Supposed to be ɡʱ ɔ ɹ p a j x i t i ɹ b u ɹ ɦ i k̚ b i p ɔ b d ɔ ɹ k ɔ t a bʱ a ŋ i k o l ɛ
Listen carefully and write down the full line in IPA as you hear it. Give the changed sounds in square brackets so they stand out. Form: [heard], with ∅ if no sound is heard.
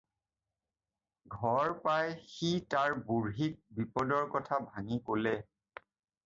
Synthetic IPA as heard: ɡʱ ɔ ɹ p a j x i t [a] ɹ b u ɹ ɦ i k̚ b i p ɔ [∅] d ɔ ɹ k ɔ [tʰ] a bʱ a ŋ i k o l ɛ